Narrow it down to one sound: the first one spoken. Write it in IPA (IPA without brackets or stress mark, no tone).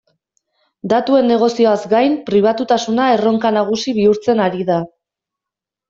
d̪